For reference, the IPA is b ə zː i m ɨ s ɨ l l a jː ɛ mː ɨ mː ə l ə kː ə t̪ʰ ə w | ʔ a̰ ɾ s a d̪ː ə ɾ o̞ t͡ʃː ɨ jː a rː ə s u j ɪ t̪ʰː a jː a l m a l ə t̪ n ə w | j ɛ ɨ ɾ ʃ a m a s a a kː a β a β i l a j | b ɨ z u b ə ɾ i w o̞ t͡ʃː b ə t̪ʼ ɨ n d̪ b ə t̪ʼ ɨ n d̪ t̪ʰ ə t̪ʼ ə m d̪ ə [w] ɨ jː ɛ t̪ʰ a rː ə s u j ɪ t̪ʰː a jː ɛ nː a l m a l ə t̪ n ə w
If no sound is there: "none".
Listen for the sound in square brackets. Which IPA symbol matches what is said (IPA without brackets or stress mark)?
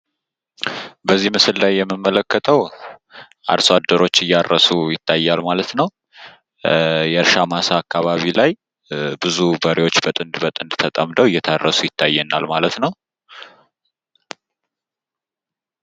w